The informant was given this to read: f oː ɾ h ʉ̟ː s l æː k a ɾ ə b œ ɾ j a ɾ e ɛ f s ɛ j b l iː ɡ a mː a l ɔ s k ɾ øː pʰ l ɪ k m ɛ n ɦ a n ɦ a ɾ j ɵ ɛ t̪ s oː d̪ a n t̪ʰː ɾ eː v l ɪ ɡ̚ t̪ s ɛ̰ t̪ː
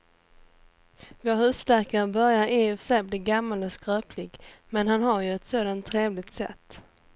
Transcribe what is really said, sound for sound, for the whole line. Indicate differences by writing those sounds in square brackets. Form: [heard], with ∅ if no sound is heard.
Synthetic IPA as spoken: [v] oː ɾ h ʉ̟ː s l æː k a ɾ ə b œ ɾ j a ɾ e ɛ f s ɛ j b l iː ɡ a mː a l ɔ s k ɾ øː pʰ l ɪ [ɡ] m ɛ n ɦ a n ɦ a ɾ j ɵ ɛ t̪ s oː d̪ a n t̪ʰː ɾ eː v l ɪ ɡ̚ t̪ s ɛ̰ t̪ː

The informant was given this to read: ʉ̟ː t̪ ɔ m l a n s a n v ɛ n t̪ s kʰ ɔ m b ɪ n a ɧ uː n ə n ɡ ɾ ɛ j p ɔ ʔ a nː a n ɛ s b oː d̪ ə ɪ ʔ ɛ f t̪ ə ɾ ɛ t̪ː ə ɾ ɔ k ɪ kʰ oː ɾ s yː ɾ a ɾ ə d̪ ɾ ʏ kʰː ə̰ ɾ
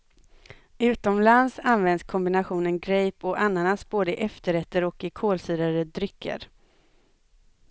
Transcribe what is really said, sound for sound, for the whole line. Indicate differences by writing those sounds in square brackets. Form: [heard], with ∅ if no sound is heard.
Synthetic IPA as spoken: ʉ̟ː t̪ ɔ m l a n s a n v ɛ n [d̪] s kʰ ɔ m b ɪ n a ɧ uː n ə n ɡ ɾ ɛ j p ɔ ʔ a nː a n [a] s b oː d̪ ə ɪ ʔ ɛ f t̪ ə ɾ ɛ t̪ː ə ɾ ɔ k ɪ kʰ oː [l] s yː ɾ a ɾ ə d̪ ɾ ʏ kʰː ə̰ ɾ

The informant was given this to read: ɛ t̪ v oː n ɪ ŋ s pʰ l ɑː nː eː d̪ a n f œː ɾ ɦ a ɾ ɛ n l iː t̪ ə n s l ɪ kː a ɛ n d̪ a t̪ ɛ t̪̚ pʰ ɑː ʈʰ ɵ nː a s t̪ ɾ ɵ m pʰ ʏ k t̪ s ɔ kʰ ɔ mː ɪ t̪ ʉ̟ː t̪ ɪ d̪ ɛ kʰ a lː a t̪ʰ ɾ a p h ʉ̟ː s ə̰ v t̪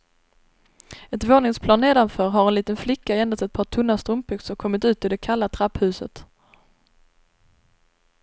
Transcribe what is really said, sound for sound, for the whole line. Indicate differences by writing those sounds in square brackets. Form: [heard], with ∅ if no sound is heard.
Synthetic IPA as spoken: ɛ t̪ v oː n ɪ ŋ s pʰ l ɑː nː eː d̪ a n f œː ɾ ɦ a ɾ ɛ n l iː t̪ ə n [f] l ɪ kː a ɛ n d̪ a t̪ ɛ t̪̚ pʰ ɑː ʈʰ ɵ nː a s t̪ ɾ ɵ m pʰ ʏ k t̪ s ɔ kʰ ɔ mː ɪ t̪ ʉ̟ː t̪ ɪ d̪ ɛ kʰ a lː a t̪ʰ ɾ a p h ʉ̟ː s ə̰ [∅] t̪

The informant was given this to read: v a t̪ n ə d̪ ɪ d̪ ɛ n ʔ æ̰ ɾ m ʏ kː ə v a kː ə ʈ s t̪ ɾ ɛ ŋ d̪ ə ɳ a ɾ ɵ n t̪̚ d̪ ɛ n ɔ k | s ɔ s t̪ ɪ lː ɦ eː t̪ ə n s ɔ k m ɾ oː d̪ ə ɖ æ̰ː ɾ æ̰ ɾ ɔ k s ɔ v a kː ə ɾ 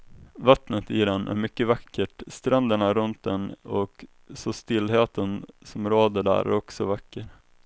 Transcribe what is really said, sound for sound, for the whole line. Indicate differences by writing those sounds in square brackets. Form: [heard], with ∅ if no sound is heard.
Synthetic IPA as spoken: v a t̪ n ə [t̪] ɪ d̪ ɛ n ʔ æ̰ ɾ m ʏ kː ə v a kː ə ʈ s t̪ ɾ ɛ [n] d̪ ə ɳ a ɾ ɵ n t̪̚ d̪ ɛ n ɔ k | s ɔ s t̪ ɪ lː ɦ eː t̪ ə n s ɔ [∅] m ɾ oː d̪ ə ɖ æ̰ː ɾ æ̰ ɾ ɔ k s ɔ v a kː ə ɾ

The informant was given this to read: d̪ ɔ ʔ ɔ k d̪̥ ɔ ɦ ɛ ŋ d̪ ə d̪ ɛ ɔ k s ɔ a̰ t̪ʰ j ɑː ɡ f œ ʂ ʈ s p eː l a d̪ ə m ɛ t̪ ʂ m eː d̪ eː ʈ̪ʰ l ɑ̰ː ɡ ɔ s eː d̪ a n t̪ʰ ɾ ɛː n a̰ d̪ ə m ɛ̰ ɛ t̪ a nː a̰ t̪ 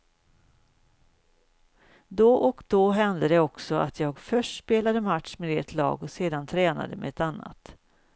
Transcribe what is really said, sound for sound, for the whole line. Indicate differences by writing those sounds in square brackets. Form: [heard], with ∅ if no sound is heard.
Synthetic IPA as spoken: d̪ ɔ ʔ ɔ k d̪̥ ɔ ɦ ɛ [n] d̪ ə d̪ ɛ ɔ k s ɔ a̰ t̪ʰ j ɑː ɡ f œ ʂ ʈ s p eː l a d̪ ə m [a] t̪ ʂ m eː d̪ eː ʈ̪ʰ l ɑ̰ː ɡ ɔ s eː d̪ a n t̪ʰ ɾ ɛː n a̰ d̪ ə m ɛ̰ ɛ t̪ a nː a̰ t̪

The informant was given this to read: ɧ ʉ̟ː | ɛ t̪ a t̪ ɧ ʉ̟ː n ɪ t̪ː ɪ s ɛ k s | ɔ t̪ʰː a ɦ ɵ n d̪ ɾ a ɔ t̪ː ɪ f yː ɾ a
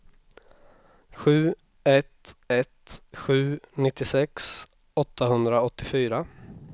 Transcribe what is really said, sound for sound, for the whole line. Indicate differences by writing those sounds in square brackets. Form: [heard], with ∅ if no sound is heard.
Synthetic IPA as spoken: ɧ ʉ̟ː | ɛ t̪ [ɛ] t̪ ɧ ʉ̟ː n ɪ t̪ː ɪ s ɛ k s | ɔ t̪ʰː a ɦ ɵ n d̪ ɾ a ɔ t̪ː ɪ f yː ɾ a

